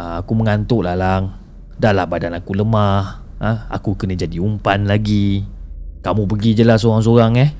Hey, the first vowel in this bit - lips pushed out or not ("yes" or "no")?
no